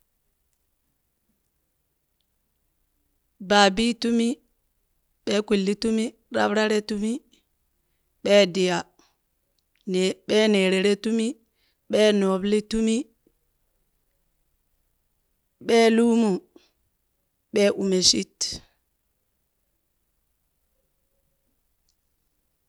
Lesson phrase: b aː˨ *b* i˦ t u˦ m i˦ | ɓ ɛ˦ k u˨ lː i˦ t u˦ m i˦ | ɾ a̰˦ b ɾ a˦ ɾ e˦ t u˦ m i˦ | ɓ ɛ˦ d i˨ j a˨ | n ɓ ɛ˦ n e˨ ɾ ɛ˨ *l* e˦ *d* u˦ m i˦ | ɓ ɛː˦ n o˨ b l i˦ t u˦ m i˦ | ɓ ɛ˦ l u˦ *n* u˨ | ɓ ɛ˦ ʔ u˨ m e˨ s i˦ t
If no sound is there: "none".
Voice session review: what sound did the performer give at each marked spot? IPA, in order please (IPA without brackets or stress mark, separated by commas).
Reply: b, ɾ, t, m